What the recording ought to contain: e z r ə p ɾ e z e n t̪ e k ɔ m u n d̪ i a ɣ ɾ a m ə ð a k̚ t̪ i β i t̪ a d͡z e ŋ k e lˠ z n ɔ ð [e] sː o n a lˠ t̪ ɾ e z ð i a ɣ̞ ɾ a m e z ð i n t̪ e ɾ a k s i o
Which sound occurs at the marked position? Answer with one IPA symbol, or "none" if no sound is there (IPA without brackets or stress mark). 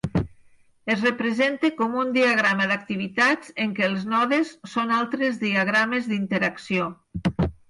e